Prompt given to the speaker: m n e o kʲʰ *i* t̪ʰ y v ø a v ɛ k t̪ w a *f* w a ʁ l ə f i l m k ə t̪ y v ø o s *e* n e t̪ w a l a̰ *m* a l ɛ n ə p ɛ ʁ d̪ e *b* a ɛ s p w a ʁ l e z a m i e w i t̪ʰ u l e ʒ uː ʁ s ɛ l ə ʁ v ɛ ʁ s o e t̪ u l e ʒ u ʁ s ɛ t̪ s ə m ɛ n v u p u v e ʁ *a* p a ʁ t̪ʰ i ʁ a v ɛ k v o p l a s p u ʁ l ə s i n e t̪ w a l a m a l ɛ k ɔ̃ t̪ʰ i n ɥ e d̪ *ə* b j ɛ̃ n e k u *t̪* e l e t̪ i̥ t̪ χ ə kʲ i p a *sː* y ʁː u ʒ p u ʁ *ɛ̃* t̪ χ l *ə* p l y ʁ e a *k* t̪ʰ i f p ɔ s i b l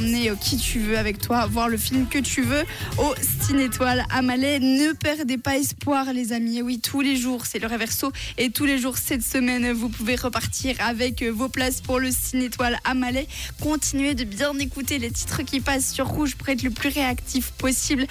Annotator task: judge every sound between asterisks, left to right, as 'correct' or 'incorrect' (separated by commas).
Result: correct, incorrect, incorrect, correct, incorrect, incorrect, correct, correct, correct, incorrect, correct, correct